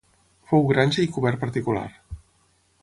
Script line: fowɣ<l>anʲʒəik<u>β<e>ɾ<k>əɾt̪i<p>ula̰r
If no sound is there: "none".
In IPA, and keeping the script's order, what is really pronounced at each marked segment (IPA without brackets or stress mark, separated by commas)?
ɾ, u, ɛ, p, k